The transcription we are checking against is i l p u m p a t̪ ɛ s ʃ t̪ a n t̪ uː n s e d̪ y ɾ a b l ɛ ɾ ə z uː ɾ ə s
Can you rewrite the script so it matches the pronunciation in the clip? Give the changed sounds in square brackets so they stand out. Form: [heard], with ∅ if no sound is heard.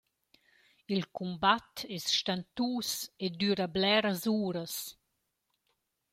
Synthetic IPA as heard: i l [k] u m [b] a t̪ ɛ s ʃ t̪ a n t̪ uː [∅] s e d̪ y ɾ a b l ɛ ɾ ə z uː ɾ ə s